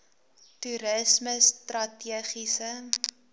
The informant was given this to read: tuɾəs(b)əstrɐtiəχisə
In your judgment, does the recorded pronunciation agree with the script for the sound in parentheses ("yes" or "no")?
no